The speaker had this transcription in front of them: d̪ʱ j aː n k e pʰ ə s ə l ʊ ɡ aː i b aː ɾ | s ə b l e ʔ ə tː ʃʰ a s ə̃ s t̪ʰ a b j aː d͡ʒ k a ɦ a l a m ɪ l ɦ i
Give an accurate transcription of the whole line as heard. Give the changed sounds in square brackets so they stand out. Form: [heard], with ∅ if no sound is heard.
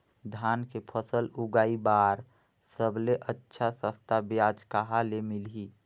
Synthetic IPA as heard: d̪ʱ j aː n k e pʰ ə s ə l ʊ ɡ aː i b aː ɾ | s ə b l e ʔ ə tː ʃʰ a s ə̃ s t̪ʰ a b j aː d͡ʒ k a ɦ a l [e] m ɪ l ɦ i